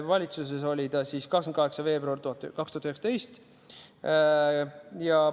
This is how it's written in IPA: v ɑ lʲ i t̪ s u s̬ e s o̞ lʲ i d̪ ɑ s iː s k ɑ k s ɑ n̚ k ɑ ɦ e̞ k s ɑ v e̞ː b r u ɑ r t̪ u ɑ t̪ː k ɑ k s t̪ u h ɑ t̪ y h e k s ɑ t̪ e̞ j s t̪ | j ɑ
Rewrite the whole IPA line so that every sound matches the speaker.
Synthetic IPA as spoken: v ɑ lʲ i t̪ s u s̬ e s o̞ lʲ i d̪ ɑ s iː s k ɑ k s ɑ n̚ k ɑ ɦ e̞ k s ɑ v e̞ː b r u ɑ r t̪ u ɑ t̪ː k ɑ k s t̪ u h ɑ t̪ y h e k s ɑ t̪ e̞ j s t̪ | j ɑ